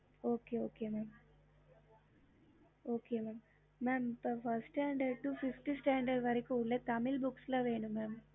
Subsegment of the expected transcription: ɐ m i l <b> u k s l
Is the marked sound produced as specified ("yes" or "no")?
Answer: yes